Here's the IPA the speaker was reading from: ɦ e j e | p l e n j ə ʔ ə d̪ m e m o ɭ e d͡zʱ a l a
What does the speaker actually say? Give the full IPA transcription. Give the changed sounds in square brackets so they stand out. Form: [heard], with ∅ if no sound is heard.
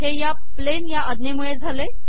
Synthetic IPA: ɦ e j [a] | p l e n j [a] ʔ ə d̪ [n] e m [u] ɭ e d͡zʱ a l [e]